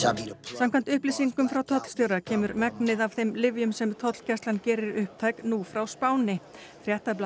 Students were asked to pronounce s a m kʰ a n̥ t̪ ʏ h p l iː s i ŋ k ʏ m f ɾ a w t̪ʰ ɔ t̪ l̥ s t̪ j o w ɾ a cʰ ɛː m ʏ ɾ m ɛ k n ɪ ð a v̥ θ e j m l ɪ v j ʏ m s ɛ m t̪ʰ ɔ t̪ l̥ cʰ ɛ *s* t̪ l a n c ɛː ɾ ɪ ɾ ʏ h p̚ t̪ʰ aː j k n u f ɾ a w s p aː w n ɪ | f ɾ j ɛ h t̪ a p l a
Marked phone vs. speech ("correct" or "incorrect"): correct